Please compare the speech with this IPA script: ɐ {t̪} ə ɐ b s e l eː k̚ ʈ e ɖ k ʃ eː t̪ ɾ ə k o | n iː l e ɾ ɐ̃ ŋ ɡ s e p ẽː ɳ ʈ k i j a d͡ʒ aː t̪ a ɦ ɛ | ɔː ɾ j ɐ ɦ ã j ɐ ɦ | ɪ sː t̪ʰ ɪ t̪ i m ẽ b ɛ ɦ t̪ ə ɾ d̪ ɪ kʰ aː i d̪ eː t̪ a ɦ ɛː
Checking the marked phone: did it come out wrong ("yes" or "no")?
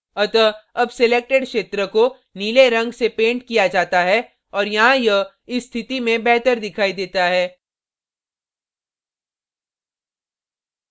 no